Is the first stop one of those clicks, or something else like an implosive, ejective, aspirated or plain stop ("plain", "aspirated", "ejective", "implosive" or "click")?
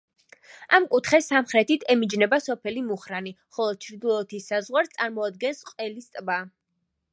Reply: ejective